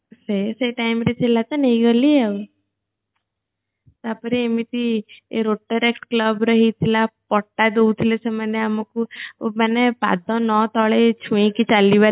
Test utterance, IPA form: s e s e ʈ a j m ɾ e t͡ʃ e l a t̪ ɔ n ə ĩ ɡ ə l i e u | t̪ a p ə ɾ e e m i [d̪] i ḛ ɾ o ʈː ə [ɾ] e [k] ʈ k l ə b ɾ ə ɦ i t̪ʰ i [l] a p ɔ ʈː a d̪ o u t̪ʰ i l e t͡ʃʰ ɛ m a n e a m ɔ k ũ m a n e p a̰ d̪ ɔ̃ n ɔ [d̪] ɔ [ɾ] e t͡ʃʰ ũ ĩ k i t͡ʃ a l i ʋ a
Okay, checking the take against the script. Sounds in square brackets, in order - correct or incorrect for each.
incorrect: t̪, correct, correct, correct, incorrect: t̪, incorrect: ɭ

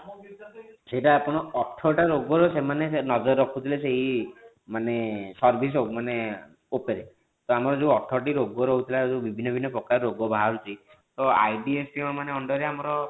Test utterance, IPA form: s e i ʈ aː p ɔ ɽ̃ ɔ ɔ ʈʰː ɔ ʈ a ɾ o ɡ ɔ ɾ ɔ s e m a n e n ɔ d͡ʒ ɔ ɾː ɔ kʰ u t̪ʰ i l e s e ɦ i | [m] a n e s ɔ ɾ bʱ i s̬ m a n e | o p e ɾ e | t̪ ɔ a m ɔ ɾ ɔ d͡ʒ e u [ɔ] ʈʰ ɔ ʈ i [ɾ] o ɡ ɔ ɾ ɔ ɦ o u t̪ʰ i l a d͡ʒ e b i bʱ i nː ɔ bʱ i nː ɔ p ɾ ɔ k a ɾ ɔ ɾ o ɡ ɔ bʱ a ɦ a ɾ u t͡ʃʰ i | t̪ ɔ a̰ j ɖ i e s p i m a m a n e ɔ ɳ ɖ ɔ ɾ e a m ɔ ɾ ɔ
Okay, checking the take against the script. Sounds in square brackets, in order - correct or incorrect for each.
correct, correct, correct

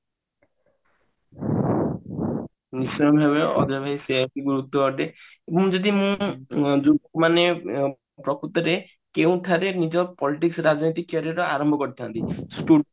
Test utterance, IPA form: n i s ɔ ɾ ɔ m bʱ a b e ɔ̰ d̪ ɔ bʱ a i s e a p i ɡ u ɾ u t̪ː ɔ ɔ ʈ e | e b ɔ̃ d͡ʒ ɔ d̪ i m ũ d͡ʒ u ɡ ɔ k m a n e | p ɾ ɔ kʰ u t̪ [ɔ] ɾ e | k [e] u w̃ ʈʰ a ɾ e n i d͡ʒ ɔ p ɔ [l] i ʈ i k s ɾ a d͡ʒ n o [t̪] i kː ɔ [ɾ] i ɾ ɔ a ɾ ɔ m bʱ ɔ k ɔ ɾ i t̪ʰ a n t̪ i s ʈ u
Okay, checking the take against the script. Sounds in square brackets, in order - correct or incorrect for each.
correct, correct, correct, correct, correct

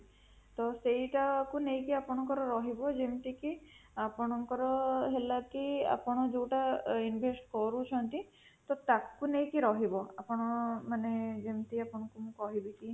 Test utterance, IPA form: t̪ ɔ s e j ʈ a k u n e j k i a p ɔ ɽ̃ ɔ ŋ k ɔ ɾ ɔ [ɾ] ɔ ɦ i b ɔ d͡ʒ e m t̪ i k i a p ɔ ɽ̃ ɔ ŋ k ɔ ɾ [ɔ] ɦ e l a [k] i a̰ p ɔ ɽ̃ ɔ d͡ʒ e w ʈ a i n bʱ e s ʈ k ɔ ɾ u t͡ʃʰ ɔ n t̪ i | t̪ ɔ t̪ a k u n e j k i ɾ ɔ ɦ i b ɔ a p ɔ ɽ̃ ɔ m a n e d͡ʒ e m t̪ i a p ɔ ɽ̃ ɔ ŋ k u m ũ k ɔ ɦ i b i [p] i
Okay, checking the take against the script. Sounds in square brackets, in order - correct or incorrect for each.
correct, correct, correct, incorrect: k

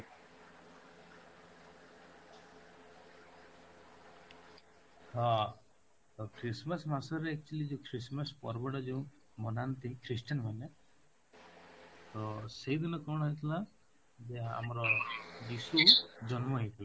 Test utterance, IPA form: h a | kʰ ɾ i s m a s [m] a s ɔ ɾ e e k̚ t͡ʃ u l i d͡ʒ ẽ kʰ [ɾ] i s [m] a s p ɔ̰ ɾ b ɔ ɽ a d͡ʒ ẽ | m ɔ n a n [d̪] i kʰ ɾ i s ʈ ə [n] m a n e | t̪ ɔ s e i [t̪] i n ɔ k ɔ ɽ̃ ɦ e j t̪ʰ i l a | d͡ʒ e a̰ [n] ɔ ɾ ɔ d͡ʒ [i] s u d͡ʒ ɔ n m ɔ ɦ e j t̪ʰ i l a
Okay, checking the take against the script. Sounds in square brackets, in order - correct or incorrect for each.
correct, correct, correct, incorrect: t̪, correct, incorrect: d̪, incorrect: m, correct

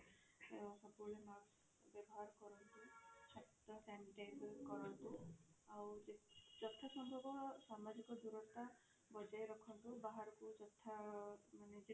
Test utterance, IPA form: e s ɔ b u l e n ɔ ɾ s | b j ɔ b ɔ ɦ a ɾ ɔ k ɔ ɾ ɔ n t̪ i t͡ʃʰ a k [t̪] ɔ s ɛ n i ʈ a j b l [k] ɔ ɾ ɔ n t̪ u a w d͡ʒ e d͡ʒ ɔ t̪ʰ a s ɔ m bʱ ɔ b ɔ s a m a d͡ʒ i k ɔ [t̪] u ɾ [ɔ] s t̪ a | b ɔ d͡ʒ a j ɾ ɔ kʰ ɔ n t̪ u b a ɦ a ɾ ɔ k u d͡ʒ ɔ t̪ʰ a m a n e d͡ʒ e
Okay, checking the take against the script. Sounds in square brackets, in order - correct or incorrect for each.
correct, correct, incorrect: d̪, correct

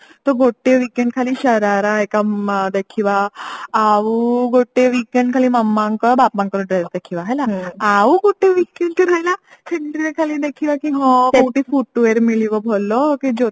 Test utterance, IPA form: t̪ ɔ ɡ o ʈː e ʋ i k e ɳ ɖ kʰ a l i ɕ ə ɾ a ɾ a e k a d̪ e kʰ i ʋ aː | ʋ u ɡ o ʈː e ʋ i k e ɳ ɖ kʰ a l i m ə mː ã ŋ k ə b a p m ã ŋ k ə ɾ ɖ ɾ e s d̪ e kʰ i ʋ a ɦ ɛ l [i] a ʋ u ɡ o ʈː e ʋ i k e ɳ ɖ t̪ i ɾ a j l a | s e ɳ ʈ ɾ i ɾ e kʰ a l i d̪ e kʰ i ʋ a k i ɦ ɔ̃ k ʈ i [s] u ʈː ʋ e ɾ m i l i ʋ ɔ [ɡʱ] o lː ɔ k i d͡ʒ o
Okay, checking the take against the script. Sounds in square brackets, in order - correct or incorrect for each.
incorrect: a, incorrect: f, incorrect: bʱ

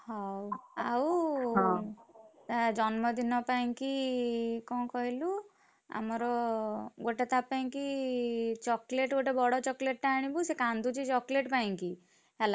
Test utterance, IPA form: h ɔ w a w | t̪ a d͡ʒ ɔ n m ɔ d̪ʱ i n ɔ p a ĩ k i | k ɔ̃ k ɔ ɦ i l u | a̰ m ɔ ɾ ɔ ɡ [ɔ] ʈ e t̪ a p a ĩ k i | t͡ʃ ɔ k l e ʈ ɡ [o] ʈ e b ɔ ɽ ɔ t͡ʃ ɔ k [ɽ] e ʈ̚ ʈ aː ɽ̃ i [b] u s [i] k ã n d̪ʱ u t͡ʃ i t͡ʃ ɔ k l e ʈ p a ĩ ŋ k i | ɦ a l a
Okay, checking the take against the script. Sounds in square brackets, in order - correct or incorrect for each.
incorrect: o, correct, incorrect: l, correct, incorrect: e

